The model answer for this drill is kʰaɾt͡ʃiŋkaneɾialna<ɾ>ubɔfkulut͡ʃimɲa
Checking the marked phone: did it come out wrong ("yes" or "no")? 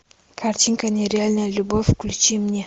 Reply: yes